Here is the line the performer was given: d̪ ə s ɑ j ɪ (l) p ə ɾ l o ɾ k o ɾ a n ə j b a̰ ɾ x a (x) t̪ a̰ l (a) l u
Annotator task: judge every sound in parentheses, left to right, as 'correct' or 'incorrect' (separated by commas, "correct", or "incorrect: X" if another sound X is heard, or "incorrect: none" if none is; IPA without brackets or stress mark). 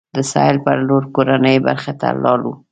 correct, incorrect: none, incorrect: ɑ